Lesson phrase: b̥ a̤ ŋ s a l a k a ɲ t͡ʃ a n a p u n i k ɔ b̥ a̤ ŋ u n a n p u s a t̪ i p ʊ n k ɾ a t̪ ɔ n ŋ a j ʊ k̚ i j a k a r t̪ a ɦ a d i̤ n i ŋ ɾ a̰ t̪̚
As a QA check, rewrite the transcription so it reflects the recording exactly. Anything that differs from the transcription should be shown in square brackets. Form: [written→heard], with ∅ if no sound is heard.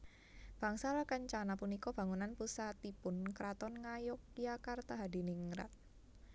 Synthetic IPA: b̥ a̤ ŋ s a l a k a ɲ t͡ʃ a n a p u n i k ɔ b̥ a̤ ŋ u n a n p u s a t̪ i p ʊ n k ɾ a t̪ ɔ n ŋ a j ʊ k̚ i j a k a r t̪ a ɦ a d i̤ n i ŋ ɾ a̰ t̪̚